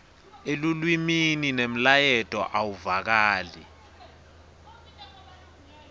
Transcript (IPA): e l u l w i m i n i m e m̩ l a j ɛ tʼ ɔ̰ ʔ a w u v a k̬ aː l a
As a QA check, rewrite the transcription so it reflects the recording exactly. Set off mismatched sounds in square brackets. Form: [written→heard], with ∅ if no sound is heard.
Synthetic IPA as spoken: e l u l w i m i n i [m→n] e m̩ l a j ɛ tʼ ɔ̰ ʔ a w u v a k̬ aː l [a→i]